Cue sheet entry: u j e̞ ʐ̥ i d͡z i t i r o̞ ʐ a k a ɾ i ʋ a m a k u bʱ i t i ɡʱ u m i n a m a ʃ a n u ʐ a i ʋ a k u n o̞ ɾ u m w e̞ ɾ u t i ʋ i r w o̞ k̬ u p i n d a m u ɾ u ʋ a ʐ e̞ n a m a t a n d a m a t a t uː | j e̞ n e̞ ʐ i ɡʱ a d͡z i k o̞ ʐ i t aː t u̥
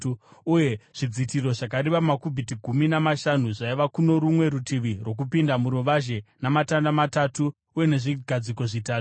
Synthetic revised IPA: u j e̞ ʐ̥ i d͡z i t i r o̞ ʐ a k a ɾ i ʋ a m a k u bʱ i t i ɡʱ u m i n a m a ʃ a n u ʐ a i ʋ a k u n o̞ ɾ u m w e̞ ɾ u t i ʋ i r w o̞ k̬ u p i n d a m u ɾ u ʋ a ʒ e̞ n a m a t a n d a m a t a t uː | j e̞ n e̞ ʐ i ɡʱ a d͡z i k o̞ ʐ i t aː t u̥